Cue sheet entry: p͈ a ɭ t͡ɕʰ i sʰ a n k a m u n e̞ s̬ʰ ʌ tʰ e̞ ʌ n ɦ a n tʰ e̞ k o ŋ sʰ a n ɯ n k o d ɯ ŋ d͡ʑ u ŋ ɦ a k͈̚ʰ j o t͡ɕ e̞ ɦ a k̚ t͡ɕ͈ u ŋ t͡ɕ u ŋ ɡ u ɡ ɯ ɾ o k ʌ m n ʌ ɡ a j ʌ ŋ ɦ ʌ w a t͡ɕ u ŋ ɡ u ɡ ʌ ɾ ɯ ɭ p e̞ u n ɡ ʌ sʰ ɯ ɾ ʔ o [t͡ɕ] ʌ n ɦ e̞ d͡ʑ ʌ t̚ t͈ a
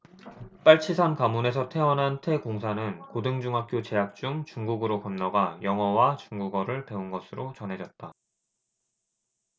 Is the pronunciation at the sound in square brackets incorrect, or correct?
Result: correct